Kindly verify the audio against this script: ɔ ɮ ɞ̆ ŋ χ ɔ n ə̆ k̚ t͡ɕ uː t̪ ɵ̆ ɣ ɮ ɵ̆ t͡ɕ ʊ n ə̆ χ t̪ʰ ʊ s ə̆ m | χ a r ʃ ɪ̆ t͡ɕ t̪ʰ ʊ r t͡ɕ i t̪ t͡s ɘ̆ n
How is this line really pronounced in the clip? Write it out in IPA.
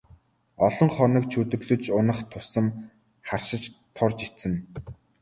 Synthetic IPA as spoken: ɔ ɮ ɞ̆ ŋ χ ɔ n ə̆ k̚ t͡ɕʰ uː t̪ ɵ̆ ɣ ɮ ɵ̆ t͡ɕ ʊ n ə̆ χ t̪ʰ ʊ s ə̆ m | χ a r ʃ ɪ̆ t͡ɕ t̪ʰ ʊ r t͡ɕ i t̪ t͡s ɘ̆ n